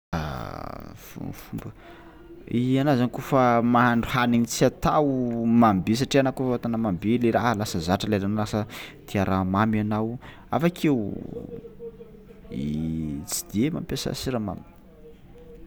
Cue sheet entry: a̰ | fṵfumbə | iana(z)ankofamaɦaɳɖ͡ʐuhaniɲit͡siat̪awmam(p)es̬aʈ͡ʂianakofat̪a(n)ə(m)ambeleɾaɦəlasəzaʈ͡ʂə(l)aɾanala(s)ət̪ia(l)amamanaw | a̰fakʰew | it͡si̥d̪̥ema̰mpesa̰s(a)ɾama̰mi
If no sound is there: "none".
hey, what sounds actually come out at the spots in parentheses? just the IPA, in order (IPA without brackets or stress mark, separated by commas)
z, b, n, m, l, s, ɾ, i